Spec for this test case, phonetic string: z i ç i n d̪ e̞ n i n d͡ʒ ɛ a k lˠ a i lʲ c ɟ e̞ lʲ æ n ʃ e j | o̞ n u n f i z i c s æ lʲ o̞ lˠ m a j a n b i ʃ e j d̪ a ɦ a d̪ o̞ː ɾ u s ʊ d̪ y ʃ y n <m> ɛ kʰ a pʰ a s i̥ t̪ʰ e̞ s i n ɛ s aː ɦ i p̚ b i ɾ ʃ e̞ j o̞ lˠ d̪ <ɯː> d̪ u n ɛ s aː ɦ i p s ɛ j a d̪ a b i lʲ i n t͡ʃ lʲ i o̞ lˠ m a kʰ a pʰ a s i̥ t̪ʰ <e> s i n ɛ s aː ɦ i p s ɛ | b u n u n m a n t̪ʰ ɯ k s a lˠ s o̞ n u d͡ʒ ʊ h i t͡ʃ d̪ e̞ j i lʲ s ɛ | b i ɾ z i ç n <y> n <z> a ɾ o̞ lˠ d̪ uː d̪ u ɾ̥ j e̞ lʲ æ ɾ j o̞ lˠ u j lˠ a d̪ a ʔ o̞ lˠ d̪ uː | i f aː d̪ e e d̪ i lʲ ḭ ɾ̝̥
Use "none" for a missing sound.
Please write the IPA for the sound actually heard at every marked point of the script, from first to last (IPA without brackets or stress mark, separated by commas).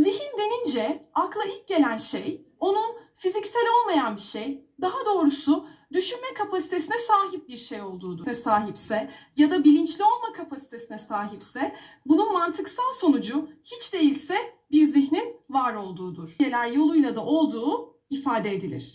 m, uː, e, i, v